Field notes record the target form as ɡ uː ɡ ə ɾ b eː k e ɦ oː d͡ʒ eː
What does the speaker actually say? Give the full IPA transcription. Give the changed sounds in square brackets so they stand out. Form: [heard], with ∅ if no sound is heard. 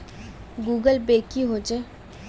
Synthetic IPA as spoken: ɡ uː ɡ ə [l] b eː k [i] ɦ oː d͡ʒ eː